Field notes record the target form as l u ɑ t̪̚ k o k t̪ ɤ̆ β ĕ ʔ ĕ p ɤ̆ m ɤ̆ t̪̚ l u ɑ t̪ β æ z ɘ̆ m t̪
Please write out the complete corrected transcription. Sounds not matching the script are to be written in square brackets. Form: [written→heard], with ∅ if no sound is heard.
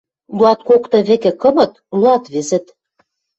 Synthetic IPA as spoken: l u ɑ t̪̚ k o k t̪ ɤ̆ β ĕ [ʔ→k] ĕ [p→k] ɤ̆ m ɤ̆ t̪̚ l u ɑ t̪ β [æ→e] z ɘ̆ [m→∅] t̪